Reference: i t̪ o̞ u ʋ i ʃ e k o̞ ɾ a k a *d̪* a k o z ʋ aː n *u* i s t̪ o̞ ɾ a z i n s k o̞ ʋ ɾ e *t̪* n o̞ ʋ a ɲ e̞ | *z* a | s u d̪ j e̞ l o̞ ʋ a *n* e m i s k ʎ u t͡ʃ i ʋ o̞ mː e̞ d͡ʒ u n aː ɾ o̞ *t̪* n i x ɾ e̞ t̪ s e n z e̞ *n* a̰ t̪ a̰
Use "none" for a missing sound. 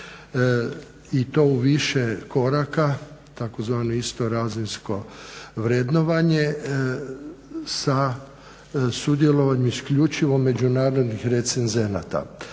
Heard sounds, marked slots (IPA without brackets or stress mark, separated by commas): t̪, o, d̪, s, ɲ, d̪, n